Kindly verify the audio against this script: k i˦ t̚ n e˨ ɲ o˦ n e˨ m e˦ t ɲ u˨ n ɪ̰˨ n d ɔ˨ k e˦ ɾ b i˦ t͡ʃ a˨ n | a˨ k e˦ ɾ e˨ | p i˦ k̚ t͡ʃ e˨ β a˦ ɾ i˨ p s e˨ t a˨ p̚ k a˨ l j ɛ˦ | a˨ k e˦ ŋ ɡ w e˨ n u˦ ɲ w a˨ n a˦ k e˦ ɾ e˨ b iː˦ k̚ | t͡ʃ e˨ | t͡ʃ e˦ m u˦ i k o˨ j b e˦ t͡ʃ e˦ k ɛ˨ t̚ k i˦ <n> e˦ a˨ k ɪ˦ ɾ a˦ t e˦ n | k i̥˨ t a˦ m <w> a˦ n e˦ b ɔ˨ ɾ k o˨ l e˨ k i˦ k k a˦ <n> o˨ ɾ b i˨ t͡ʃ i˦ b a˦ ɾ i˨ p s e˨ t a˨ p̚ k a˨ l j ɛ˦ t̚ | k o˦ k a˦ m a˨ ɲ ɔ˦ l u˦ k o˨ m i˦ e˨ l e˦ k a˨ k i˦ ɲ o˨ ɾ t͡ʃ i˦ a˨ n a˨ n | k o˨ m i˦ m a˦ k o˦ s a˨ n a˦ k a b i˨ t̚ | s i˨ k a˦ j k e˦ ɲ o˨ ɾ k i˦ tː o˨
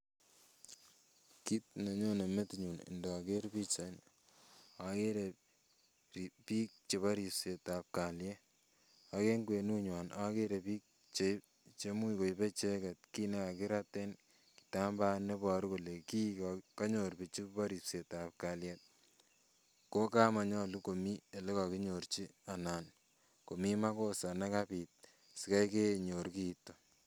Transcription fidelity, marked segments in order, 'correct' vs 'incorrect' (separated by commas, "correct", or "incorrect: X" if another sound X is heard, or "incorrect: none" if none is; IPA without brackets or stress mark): correct, incorrect: b, incorrect: ɲ